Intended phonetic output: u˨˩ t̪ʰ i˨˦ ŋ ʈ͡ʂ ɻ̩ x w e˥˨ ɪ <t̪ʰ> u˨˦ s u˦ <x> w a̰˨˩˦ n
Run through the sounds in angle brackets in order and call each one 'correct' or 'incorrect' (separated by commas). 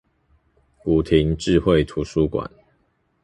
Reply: correct, incorrect